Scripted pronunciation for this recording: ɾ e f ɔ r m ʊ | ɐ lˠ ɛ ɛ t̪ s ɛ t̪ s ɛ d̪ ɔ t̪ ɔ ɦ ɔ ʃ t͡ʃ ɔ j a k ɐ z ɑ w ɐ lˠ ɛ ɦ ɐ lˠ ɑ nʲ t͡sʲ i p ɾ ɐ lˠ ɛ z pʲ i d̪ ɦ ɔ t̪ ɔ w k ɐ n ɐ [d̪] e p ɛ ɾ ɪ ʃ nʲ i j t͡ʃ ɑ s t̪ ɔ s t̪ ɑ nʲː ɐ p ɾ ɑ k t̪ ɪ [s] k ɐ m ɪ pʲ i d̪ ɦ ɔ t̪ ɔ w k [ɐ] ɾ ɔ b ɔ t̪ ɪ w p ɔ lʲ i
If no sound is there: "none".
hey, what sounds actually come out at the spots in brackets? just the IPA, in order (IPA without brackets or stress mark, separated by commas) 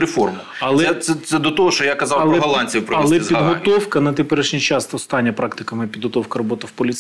t̪, none, ɐ